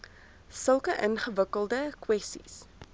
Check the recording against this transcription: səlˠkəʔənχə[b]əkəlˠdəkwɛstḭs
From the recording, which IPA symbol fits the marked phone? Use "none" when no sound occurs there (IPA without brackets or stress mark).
v